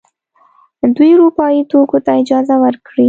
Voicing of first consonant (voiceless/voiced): voiced